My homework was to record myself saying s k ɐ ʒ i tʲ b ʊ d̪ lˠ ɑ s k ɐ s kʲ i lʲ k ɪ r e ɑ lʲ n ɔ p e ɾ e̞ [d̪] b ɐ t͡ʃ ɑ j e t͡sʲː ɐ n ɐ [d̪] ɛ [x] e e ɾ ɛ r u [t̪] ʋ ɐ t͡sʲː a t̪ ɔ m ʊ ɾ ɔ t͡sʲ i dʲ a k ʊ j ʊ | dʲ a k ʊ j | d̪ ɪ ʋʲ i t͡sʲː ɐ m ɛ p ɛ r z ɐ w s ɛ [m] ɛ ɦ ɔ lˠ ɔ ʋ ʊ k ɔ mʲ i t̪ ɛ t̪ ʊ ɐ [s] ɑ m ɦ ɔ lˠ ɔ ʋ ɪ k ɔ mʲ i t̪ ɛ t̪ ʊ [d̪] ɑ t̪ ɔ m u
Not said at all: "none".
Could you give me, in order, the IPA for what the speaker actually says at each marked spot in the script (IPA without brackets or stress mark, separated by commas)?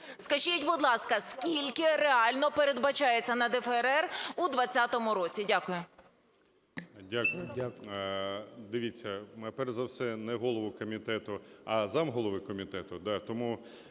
d̪, d̪, f, d̪, n, z, d̪